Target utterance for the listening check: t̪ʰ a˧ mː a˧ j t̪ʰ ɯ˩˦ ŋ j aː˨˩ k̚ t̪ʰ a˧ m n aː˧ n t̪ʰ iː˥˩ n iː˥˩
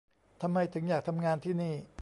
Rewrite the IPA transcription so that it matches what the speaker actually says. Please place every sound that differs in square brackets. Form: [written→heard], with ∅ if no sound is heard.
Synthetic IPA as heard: t̪ʰ a˧ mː a˧ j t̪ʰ ɯ˩˦ ŋ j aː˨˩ k̚ t̪ʰ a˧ m [n→ŋ] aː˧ n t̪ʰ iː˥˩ n iː˥˩